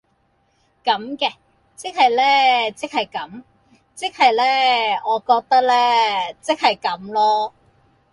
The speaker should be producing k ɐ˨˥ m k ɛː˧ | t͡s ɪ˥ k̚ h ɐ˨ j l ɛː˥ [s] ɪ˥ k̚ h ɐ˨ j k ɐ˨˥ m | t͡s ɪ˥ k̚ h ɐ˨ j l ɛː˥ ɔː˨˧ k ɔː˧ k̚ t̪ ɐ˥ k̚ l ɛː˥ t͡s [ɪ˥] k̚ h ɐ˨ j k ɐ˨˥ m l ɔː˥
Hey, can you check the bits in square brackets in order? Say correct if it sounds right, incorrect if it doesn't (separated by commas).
incorrect, correct